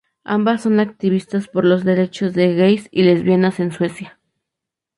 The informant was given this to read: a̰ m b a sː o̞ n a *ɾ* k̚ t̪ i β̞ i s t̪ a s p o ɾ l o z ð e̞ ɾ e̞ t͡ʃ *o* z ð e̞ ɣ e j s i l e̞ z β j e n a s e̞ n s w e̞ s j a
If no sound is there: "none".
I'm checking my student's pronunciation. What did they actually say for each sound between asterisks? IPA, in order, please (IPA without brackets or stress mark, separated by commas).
none, o